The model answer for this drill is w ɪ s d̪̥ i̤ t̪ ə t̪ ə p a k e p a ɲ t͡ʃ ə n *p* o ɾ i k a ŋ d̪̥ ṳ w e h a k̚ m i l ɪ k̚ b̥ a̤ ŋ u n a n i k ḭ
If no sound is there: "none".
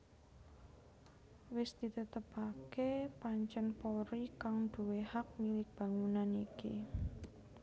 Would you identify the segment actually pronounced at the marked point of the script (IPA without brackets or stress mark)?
p